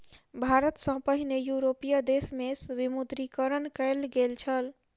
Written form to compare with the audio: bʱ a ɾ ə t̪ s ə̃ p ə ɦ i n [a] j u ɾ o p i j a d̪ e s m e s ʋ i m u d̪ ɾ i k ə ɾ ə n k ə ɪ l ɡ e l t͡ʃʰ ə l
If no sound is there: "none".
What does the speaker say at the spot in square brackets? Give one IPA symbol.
e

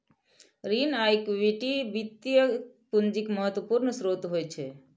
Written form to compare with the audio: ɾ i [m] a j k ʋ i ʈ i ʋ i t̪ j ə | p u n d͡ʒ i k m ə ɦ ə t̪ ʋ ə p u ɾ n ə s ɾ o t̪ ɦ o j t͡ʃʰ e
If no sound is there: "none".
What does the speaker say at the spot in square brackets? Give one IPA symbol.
n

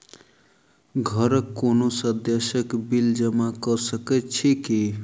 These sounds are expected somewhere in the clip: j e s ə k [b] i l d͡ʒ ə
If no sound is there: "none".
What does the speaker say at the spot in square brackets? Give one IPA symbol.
b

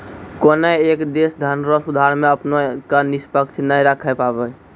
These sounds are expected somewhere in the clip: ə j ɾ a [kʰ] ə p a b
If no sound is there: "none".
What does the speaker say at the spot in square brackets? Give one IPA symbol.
kʰ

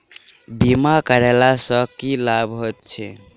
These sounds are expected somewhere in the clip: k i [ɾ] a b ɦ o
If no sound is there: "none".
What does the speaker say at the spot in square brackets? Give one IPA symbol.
l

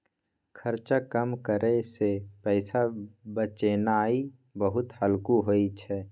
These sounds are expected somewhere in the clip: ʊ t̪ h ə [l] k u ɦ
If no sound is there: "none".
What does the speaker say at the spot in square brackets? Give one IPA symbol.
l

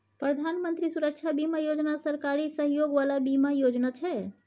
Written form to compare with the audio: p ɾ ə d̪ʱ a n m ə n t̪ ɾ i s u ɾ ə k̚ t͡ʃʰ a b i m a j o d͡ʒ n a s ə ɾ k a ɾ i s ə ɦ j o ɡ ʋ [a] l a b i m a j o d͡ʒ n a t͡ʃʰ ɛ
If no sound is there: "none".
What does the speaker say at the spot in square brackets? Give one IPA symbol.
a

